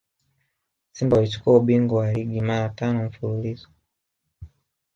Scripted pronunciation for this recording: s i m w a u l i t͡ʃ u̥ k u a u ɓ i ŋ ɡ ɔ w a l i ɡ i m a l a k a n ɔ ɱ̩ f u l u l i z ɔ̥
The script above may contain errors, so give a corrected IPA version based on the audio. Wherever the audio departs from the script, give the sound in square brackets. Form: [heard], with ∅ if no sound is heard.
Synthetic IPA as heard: s i m [b] a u l i t͡ʃ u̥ k u a u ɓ i ŋ ɡ ɔ w a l i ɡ i m a [ɾ] a [t] a n ɔ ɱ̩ f u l u l i z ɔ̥